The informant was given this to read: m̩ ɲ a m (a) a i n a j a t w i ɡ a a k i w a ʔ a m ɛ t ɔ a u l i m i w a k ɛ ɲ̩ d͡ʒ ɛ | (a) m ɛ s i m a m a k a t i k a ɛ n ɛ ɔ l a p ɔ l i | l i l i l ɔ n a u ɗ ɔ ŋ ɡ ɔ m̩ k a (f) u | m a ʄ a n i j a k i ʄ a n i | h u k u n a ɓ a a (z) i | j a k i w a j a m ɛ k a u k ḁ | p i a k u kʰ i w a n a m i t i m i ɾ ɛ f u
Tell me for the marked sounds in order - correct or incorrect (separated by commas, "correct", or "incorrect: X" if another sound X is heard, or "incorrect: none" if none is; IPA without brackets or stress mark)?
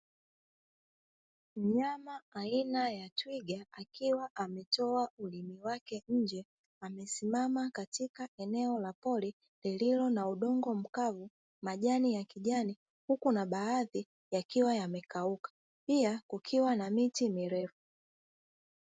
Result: correct, correct, incorrect: v, incorrect: ð